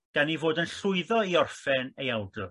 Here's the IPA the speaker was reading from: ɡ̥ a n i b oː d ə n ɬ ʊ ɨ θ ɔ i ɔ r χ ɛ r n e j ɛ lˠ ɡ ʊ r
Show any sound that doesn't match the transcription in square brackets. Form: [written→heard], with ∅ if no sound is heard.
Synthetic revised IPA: ɡ̥ a n i [b→v] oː d ə n ɬ ʊ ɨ [θ→ð] ɔ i ɔ r [χ→f] ɛ [r→∅] n e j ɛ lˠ [ɡ→d] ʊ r